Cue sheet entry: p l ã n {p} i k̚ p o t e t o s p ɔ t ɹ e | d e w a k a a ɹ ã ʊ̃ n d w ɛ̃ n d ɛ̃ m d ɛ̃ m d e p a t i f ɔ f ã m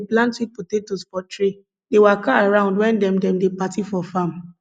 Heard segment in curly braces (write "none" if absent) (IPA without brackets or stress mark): t